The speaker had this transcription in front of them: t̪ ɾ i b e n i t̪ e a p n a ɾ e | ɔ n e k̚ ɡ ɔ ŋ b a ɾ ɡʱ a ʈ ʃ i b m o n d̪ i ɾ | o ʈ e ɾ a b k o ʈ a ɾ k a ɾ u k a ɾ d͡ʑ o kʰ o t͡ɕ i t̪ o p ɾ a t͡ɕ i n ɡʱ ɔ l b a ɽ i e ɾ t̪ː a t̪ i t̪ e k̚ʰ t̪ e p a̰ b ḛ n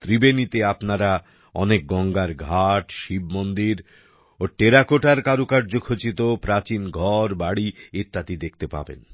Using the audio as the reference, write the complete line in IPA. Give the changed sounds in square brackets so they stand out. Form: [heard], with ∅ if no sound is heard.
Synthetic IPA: t̪ ɾ i b e n i t̪ e a p n a ɾ [a] | ɔ n e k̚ ɡ ɔ ŋ [ɡ] a ɾ ɡʱ a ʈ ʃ i b m o n d̪ i ɾ | o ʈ e ɾ a [∅] k o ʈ a ɾ k a ɾ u k a ɾ d͡ʑ o kʰ o t͡ɕ i t̪ o p ɾ a t͡ɕ i n ɡʱ ɔ [ɾ] b a ɽ i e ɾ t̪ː a t̪ i [d̪] e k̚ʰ t̪ e p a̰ b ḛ n